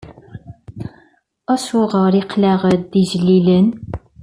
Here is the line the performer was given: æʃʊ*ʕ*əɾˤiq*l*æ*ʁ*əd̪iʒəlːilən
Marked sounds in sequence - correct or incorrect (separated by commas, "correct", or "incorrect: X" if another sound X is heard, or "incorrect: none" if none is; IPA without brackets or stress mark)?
incorrect: ʁ, correct, correct